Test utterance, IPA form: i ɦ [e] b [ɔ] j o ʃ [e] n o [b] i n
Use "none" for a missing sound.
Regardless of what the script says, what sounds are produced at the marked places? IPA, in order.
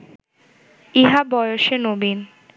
a, ɔ, e, b

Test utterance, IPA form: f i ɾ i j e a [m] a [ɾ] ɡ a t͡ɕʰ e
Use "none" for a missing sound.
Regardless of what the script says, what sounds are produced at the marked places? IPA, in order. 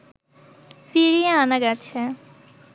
n, none

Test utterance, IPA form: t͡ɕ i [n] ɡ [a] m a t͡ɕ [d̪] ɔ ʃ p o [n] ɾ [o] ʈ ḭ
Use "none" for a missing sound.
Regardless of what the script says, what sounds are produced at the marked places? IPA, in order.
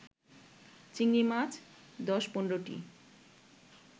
ŋ, i, d̪, n, o

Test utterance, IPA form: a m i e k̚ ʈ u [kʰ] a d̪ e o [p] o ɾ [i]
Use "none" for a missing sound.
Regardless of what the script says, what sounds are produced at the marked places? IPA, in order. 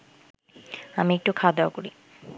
kʰ, k, i

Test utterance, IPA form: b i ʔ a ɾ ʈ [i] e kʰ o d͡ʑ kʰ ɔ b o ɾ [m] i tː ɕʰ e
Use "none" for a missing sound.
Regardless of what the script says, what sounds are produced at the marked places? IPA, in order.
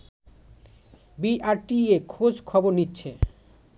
i, n

